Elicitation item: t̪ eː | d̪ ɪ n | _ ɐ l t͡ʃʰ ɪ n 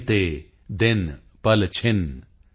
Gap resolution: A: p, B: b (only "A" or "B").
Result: A